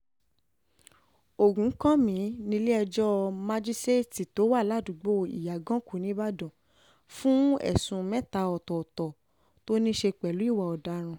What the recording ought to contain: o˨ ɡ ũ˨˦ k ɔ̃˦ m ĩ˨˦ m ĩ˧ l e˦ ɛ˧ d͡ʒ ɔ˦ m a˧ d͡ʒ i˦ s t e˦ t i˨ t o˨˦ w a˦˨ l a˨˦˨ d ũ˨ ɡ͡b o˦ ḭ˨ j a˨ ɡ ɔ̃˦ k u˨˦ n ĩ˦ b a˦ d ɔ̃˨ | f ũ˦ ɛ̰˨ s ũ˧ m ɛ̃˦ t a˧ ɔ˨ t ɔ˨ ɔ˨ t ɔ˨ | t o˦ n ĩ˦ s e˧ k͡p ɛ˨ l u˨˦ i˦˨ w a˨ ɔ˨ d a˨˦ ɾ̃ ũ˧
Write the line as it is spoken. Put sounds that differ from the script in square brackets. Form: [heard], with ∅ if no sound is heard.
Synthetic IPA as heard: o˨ ɡ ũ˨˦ k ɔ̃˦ m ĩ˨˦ [n] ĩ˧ l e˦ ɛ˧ d͡ʒ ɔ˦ m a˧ d͡ʒ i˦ s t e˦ t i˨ t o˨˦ w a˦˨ l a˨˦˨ d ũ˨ ɡ͡b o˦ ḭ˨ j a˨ ɡ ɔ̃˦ k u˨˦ n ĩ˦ b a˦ d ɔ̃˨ | f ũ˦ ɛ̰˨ s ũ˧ m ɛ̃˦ t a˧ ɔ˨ t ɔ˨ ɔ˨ t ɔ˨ | t o˦ n ĩ˦ [ʃ] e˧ k͡p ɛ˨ l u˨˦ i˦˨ w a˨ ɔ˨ d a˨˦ ɾ̃ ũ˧